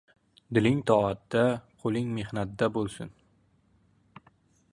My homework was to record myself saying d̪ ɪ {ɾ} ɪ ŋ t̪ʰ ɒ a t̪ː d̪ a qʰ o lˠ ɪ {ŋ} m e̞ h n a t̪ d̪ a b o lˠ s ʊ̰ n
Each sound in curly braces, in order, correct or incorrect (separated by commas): incorrect, correct